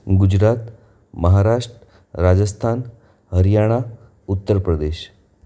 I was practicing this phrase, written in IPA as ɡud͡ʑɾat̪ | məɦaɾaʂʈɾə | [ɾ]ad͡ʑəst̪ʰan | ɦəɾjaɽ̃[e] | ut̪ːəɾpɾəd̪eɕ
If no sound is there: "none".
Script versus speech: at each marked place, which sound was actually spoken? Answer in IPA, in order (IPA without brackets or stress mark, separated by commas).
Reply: ɾ, a